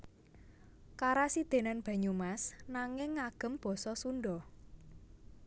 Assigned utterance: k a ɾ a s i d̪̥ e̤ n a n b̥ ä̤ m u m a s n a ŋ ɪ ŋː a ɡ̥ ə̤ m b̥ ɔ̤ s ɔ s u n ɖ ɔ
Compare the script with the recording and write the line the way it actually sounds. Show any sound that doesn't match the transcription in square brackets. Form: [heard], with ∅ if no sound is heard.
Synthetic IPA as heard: k a ɾ a s i d̪̥ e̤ n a n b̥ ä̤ [ɲ] u m a s n a ŋ ɪ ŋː a ɡ̥ ə̤ m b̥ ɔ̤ s ɔ s u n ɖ ɔ